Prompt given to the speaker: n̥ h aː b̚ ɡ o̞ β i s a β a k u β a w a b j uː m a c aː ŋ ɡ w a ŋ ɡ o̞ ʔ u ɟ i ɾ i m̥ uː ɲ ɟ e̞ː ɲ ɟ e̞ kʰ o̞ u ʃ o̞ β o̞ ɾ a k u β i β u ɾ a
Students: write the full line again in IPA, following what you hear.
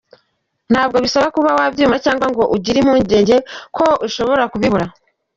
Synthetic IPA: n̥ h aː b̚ ɡ o̞ β i s a β a k u β a w a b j uː m a c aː ŋ ɡ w a ŋ ɡ o̞ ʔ u ɟ i ɾ i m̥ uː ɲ ɟ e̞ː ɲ ɟ e̞ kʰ o̞ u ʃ o̞ β o̞ ɾ a k u β i β u ɾ a